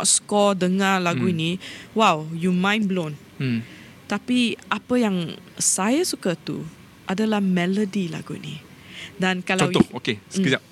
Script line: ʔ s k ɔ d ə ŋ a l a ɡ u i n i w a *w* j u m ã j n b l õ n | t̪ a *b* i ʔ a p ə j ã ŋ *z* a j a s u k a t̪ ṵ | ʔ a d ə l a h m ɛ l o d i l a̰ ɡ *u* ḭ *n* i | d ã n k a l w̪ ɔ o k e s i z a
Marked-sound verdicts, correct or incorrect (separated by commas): correct, incorrect, incorrect, correct, correct